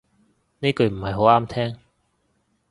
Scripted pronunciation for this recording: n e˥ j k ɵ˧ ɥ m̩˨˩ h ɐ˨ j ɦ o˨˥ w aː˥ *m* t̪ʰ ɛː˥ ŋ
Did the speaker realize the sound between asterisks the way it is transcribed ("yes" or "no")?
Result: yes